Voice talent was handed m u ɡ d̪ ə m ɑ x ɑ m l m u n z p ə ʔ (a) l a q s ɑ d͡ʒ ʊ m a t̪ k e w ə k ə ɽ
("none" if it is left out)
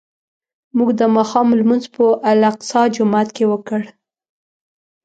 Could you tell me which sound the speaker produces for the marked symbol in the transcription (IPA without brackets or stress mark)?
a